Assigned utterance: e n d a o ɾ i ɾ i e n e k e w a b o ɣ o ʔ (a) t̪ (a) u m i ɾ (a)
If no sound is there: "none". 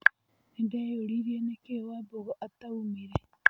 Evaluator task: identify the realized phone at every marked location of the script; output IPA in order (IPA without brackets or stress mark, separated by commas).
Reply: a, a, e